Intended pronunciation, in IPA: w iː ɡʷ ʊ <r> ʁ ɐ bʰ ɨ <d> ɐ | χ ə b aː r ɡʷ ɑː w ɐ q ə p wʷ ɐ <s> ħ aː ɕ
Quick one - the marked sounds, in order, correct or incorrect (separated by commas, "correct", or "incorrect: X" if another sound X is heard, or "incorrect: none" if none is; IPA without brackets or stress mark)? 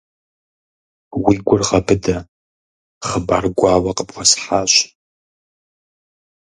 correct, correct, correct